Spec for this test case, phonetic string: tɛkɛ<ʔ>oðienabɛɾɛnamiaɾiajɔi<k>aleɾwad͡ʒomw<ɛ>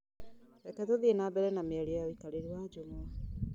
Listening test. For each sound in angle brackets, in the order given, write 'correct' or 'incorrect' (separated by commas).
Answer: incorrect, correct, incorrect